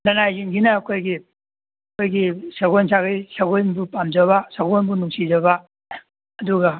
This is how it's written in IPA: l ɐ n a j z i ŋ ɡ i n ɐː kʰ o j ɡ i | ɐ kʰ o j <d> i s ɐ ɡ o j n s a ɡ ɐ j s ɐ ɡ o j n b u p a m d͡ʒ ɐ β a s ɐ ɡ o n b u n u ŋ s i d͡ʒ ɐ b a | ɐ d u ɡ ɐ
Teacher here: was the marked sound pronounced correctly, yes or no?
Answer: no